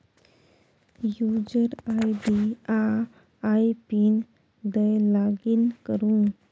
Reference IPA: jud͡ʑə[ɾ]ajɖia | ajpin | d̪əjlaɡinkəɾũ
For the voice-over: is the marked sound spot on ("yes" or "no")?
yes